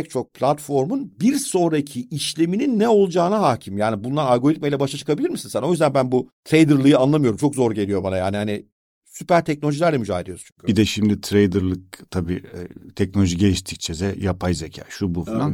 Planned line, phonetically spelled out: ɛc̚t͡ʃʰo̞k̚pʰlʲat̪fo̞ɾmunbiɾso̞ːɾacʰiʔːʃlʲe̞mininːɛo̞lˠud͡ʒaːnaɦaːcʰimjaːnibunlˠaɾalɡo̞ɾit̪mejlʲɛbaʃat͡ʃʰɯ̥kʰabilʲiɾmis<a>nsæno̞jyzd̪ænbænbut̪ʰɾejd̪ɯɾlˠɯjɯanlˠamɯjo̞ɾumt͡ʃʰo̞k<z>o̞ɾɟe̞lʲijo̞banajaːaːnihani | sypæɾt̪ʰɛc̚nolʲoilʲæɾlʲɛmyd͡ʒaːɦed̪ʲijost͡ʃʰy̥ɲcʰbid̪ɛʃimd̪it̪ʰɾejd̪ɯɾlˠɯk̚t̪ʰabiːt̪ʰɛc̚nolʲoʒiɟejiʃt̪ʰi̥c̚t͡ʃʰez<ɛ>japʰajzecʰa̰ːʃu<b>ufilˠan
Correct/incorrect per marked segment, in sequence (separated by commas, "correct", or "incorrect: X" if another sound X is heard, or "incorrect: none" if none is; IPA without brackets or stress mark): incorrect: i, correct, correct, correct